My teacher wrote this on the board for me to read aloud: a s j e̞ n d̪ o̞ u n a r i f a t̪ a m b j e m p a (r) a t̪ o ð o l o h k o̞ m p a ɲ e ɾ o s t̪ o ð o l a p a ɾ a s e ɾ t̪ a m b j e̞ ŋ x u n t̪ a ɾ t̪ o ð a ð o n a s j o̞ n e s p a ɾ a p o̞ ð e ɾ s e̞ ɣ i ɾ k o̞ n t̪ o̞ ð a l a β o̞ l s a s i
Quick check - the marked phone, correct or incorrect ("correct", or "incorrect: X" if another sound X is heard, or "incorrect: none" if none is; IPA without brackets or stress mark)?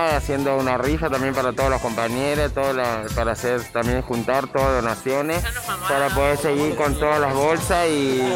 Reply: incorrect: ɾ